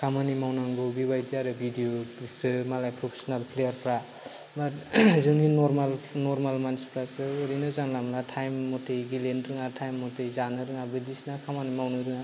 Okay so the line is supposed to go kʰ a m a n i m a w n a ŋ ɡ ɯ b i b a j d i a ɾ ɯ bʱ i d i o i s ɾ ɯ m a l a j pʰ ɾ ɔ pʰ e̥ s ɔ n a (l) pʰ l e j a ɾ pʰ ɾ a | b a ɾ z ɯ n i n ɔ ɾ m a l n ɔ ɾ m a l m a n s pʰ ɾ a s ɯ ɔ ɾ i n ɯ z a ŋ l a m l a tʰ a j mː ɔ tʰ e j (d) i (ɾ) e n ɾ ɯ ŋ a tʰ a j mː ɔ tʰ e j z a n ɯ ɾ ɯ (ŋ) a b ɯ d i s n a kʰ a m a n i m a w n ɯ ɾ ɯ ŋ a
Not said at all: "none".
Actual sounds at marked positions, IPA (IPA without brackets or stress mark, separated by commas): l, ɡ, l, ŋ